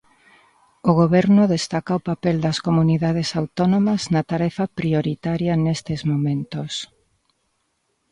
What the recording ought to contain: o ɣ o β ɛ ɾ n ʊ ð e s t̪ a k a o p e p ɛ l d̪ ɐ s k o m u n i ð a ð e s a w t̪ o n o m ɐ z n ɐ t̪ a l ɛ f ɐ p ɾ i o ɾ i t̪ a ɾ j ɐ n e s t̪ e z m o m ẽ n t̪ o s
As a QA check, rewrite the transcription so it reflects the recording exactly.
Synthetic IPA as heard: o ɣ o β ɛ ɾ n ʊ ð e s t̪ a k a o p a p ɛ l d̪ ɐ s k o m u n i ð a ð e s a w t̪ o n o m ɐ z n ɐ t̪ a ɾ ɛ f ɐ p ɾ i o ɾ i t̪ a ɾ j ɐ n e s t̪ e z m o m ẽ n t̪ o s